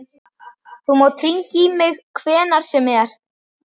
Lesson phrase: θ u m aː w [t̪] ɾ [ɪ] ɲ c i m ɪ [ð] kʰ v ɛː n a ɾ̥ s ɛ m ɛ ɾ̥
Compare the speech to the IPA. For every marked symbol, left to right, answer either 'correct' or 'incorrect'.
incorrect: t̪ʰ, incorrect: i, incorrect: ɣ

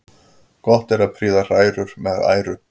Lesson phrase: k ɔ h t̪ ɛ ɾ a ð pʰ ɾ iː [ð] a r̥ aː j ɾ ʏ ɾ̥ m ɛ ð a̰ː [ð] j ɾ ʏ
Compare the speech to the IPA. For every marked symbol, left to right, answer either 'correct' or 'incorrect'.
correct, incorrect: none

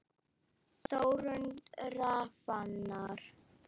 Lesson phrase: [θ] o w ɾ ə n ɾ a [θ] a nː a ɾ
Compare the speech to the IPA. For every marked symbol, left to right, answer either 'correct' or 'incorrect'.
incorrect: s, incorrect: f

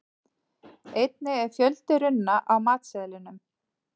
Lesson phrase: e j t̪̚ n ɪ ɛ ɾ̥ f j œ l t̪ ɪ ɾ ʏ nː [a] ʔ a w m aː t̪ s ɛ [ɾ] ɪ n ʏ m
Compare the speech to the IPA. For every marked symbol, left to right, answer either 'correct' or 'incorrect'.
correct, incorrect: l

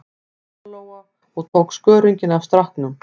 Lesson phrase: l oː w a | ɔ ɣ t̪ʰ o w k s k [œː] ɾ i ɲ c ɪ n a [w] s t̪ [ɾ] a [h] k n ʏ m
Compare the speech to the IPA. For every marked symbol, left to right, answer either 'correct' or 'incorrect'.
correct, incorrect: v, correct, correct

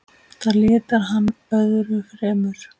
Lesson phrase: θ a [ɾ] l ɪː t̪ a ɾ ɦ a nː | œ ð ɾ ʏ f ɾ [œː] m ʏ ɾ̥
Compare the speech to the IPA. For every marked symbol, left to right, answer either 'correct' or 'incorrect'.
correct, incorrect: ɛː

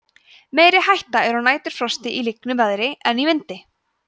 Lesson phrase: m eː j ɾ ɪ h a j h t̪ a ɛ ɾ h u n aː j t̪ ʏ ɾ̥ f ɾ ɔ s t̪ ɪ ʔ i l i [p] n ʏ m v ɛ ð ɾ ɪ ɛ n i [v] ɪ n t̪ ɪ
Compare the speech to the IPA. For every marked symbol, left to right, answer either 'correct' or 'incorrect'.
incorrect: k, correct

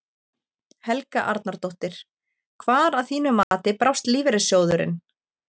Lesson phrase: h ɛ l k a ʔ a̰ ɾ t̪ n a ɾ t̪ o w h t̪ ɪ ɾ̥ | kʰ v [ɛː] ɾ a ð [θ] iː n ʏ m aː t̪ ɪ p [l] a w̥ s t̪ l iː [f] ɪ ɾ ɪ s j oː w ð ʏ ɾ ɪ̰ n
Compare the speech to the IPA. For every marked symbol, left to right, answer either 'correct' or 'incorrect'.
incorrect: aː, correct, incorrect: ɾ, incorrect: v

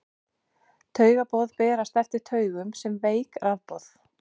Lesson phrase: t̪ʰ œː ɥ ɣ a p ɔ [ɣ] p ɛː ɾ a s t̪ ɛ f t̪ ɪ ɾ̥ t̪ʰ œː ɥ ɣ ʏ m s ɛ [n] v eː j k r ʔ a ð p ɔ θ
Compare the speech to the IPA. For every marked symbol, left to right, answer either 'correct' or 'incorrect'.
incorrect: ð, incorrect: m

